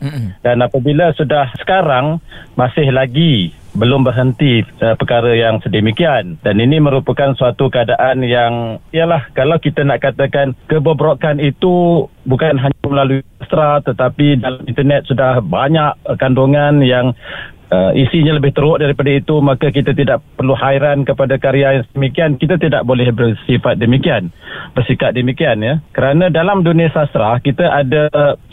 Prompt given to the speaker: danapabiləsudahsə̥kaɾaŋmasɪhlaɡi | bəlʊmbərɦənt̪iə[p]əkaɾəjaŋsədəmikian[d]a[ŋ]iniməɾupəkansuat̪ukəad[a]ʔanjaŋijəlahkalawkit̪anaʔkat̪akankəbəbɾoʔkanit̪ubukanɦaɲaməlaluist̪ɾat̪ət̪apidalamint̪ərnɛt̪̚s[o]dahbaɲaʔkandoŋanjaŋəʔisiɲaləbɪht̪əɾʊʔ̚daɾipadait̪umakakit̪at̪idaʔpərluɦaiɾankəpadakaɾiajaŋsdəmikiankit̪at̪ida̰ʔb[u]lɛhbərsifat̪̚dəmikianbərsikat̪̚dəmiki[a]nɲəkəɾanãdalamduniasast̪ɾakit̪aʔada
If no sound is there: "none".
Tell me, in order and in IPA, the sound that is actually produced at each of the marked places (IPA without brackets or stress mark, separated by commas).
p, d, n, a, u, o, a